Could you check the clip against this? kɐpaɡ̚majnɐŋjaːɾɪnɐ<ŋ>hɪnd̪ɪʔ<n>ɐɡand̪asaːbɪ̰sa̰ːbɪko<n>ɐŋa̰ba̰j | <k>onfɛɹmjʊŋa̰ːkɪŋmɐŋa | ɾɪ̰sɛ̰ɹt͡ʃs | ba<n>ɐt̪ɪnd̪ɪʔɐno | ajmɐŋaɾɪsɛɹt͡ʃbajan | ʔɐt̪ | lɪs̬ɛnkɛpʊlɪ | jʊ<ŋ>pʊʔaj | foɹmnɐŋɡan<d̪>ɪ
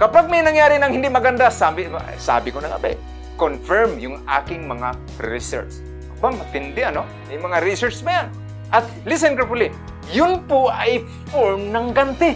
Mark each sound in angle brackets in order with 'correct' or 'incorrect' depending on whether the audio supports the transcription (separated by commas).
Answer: correct, incorrect, correct, correct, incorrect, incorrect, incorrect